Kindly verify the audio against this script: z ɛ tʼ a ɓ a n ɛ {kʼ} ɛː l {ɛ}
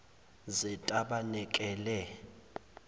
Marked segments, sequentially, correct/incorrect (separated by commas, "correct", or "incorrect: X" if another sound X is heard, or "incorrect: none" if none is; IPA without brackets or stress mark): correct, correct